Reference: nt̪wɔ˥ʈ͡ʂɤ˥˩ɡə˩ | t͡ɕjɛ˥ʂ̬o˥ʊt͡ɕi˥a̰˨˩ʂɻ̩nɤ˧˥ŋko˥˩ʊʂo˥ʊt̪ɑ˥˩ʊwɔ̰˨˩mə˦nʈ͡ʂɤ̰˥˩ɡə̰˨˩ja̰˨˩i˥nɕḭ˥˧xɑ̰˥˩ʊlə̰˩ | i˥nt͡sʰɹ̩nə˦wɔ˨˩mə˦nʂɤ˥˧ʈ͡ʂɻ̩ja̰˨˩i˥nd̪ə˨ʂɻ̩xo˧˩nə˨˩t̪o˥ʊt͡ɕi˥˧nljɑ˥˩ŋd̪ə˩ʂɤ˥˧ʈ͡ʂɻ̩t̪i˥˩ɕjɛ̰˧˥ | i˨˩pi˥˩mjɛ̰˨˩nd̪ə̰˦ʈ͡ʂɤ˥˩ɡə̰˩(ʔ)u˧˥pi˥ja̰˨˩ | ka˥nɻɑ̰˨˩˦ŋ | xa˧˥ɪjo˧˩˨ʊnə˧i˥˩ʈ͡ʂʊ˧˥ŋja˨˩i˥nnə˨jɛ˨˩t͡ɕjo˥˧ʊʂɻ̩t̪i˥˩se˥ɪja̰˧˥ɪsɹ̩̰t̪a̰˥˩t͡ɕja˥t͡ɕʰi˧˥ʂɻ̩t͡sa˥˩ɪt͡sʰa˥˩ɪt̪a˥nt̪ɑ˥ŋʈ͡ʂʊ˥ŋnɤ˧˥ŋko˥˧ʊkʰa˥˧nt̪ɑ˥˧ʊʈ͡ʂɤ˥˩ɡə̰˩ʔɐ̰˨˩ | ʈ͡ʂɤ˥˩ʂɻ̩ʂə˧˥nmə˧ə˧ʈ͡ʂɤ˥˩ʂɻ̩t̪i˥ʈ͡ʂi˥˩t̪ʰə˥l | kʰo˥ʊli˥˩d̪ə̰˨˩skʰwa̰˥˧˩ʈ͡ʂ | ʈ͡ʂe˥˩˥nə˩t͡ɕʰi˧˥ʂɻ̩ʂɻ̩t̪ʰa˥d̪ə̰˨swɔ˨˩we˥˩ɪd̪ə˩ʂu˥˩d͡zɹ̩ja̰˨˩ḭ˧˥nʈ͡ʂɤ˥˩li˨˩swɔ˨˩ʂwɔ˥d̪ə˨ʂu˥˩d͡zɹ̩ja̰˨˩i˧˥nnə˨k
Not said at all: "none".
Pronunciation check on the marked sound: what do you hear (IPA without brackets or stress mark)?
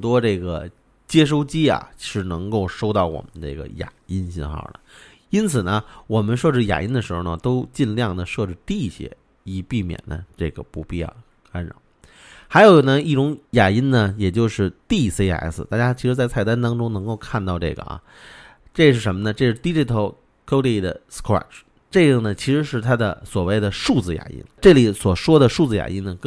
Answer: p